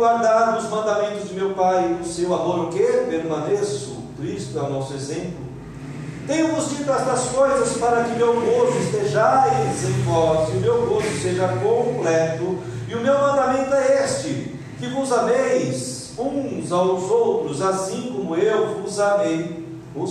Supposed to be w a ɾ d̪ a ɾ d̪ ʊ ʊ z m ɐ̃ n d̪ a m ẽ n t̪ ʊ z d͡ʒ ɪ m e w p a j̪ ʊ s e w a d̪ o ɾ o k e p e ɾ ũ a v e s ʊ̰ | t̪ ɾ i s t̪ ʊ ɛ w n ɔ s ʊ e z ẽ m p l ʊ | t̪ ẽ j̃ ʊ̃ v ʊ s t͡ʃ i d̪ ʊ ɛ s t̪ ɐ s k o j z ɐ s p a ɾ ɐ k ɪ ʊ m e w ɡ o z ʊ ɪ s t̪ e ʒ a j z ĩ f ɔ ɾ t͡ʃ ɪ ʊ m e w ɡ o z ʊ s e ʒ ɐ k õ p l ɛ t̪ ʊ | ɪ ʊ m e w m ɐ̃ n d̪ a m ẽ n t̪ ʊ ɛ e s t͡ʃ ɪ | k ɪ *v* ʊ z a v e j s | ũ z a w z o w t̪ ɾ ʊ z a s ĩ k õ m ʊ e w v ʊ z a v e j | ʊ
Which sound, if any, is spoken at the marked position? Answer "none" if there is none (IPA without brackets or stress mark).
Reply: v